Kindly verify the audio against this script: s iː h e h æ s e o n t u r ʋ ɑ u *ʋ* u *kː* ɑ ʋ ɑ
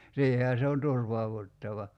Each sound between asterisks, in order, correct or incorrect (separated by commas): correct, incorrect